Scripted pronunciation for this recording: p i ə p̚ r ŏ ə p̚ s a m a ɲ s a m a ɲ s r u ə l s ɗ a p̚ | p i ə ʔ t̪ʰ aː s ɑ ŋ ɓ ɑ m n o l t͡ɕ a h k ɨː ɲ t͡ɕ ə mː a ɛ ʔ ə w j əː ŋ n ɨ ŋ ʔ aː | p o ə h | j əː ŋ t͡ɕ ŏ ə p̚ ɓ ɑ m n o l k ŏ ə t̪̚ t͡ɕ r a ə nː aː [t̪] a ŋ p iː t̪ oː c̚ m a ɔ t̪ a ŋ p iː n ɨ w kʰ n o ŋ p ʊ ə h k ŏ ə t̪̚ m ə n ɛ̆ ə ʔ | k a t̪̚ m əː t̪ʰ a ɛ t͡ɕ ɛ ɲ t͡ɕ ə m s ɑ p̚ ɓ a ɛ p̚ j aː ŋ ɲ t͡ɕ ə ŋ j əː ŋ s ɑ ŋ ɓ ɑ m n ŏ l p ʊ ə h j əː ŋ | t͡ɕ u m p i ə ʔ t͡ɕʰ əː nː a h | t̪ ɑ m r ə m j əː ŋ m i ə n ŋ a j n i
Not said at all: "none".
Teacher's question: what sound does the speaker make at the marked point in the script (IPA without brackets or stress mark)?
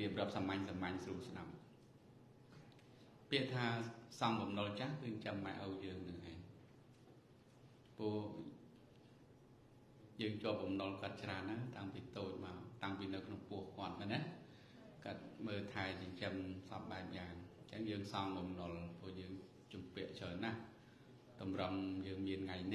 t̪